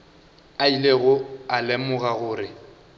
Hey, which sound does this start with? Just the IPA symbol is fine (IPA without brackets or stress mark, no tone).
a